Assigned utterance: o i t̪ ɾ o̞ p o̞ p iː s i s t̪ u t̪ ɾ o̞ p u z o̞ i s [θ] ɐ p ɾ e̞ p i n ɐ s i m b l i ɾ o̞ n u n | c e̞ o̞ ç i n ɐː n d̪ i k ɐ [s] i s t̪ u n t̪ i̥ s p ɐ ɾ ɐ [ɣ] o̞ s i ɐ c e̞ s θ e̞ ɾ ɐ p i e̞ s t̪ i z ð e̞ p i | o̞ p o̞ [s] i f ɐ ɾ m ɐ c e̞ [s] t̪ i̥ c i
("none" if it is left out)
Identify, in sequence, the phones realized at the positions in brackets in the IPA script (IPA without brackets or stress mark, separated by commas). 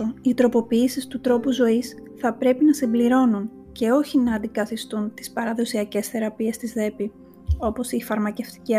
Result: θ, θ, ð, s, f